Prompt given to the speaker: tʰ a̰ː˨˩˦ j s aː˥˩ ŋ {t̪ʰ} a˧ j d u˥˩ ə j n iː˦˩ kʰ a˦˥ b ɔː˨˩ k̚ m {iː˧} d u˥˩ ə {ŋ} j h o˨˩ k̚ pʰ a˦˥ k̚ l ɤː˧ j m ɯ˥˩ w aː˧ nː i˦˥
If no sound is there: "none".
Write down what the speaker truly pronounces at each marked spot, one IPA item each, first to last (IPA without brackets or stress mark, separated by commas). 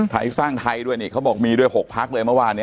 t̪ʰ, iː˧, none